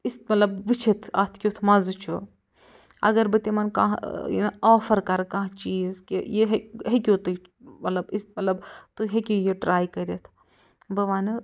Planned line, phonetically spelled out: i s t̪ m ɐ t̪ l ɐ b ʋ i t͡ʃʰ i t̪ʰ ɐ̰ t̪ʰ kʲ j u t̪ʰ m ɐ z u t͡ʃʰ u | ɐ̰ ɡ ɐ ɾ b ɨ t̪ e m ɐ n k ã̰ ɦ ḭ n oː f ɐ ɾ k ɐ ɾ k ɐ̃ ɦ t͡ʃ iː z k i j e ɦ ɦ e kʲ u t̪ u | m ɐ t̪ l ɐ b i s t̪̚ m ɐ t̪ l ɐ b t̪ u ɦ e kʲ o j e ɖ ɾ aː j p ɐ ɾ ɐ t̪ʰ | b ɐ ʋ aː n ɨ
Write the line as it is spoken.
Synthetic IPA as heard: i s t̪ m ɐ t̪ l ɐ b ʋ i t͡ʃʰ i t̪ʰ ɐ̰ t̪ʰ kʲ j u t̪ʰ m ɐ z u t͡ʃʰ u | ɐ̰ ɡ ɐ ɾ b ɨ t̪ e m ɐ n k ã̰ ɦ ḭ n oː f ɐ ɾ k ɐ ɾ k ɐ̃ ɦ t͡ʃ iː z k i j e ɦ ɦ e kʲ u t̪ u | m ɐ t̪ l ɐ b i s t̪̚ m ɐ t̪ l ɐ b t̪ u ɦ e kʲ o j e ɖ ɾ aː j k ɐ ɾ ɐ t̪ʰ | b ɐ ʋ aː n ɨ

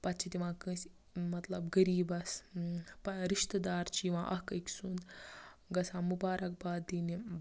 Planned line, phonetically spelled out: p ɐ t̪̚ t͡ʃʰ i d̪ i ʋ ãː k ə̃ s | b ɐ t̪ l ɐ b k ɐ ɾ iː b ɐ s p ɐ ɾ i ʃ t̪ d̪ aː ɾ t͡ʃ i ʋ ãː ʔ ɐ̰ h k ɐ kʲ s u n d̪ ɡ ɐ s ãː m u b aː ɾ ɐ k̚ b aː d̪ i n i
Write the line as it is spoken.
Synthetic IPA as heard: p ɐ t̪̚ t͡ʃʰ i t̪ i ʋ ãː k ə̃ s | m ɐ t̪ l ɐ b ɡ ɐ ɾ iː b ɐ s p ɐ ɾ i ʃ t̪ d̪ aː ɾ t͡ʃ i ʋ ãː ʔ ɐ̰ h k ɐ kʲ s u n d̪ ɡ ɐ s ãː m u b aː ɾ ɐ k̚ b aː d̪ i n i

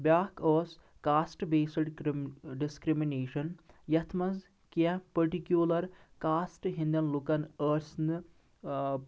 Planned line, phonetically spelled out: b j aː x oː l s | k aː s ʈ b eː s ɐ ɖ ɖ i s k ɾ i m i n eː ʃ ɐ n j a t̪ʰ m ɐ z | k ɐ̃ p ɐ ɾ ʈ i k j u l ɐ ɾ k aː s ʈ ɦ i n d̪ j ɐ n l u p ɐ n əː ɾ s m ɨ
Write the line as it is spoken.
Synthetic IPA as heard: b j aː k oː s | k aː s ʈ b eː s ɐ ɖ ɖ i s k ɾ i m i n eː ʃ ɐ n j ɐ t̪ʰ m ɐ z | k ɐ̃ p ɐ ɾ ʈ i k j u l ɐ ɾ k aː s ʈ ɦ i n d̪ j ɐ n l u k ɐ n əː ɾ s n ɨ

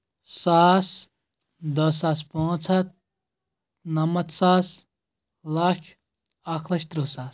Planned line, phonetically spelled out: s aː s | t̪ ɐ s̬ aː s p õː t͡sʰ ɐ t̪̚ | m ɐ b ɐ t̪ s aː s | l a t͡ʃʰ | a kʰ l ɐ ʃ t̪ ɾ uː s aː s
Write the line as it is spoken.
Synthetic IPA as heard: s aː s | d̪ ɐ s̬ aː s p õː t͡sʰ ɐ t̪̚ | n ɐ m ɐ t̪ s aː s | l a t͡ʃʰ | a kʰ l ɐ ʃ t̪ ɾ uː s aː s

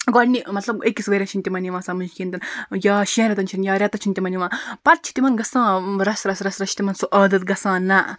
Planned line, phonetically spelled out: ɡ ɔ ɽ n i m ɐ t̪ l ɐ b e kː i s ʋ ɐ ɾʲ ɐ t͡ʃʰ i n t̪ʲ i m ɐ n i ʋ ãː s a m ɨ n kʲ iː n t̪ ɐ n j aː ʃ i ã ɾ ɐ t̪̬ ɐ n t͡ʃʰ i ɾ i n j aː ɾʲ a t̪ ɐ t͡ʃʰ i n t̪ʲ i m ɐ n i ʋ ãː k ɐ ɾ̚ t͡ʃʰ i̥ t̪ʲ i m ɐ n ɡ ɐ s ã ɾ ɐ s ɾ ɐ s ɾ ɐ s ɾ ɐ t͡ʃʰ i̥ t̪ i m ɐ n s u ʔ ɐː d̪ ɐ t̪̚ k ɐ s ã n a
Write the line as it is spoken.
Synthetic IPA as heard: ɡ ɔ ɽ n i m ɐ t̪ l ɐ b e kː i s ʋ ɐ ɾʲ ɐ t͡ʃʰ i n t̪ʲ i m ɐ n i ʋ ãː s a m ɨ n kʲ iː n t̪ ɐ n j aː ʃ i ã ɾ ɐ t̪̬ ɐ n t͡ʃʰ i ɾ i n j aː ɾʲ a t̪ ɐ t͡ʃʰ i n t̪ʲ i m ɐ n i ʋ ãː p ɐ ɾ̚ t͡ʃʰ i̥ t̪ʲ i m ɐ n ɡ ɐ s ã ɾ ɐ s ɾ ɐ s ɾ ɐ s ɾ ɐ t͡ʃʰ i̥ t̪ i m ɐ n s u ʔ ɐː d̪ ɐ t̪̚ ɡ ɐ s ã n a

